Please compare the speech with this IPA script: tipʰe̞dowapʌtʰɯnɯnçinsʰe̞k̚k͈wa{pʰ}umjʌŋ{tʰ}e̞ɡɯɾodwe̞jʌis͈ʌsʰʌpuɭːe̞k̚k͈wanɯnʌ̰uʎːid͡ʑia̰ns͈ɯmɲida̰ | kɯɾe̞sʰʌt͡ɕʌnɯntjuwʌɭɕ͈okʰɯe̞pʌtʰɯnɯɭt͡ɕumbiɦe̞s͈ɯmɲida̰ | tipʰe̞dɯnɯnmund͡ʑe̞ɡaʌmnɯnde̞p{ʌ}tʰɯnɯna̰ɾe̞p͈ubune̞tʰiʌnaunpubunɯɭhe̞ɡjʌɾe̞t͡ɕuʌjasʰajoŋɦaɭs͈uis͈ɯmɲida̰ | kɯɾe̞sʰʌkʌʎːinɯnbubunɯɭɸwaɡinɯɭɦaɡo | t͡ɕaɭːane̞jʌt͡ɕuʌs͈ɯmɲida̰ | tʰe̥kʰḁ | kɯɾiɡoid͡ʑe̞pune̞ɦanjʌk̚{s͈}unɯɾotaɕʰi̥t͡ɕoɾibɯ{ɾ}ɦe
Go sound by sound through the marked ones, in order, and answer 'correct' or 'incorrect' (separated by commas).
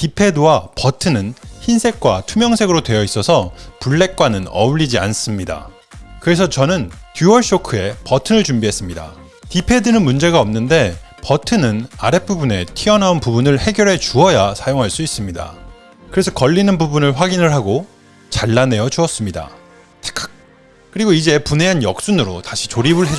incorrect, incorrect, correct, correct, incorrect